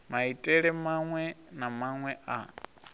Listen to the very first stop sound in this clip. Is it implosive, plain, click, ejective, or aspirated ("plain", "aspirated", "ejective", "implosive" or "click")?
ejective